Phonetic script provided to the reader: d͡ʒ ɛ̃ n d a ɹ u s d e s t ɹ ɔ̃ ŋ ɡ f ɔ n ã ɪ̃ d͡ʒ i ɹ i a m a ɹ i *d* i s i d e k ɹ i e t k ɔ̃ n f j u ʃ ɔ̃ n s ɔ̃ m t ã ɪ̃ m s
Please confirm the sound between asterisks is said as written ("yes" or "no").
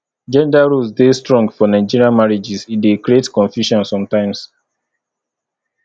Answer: no